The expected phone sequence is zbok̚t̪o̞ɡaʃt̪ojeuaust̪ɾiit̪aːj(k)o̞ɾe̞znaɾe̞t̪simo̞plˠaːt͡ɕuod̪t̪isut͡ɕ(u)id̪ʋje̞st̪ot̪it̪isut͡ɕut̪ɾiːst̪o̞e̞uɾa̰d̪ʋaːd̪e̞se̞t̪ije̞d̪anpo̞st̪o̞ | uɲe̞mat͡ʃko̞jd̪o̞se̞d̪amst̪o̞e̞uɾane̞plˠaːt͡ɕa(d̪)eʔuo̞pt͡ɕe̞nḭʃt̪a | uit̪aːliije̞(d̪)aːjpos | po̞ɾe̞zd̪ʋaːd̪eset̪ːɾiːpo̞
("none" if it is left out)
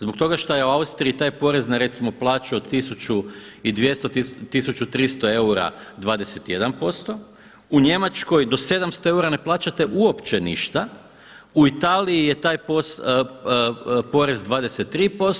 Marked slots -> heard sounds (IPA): p, u, t̪, t̪

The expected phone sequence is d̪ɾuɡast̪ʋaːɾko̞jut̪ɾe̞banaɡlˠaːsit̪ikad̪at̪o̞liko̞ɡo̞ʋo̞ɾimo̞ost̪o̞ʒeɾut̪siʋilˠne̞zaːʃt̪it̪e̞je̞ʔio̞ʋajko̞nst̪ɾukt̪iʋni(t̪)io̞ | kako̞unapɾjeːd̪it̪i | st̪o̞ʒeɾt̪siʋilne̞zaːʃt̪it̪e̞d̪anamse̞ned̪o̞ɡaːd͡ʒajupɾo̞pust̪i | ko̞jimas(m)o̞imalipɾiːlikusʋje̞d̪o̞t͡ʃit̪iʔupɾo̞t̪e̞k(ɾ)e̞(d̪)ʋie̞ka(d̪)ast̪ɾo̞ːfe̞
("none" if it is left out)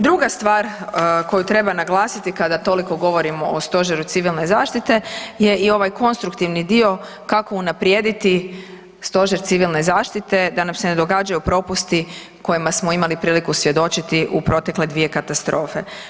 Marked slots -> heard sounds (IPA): d̪, m, l, d̪, t̪

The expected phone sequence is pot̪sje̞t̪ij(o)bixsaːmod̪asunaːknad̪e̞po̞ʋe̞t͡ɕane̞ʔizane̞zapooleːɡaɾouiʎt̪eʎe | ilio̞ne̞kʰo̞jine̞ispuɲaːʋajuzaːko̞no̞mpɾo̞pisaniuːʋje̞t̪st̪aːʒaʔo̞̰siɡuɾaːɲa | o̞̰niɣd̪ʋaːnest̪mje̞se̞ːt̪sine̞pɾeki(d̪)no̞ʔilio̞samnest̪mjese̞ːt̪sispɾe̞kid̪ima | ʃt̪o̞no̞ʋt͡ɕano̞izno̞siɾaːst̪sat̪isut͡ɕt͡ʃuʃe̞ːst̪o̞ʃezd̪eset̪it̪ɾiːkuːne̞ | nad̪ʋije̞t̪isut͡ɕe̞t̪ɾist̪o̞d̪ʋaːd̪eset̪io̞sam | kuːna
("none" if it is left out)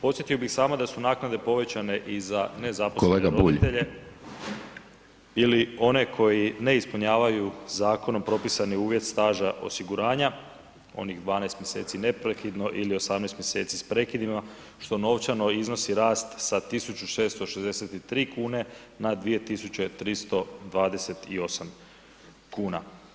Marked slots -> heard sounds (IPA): o, d̪

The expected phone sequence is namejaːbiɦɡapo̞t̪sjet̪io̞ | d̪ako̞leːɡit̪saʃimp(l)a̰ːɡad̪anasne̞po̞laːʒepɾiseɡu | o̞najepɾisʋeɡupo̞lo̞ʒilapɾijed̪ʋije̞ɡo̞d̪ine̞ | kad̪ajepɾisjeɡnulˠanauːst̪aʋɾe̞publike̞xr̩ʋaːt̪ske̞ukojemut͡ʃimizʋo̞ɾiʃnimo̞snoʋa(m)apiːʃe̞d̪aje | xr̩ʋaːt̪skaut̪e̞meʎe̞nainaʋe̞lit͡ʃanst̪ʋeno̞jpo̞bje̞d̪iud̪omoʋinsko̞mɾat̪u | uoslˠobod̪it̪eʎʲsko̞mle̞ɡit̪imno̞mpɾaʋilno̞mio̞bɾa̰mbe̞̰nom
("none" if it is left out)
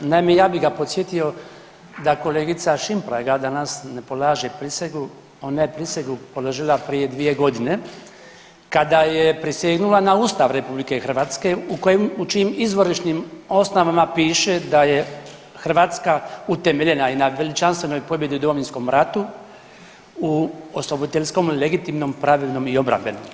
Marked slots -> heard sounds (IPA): ɾ, m

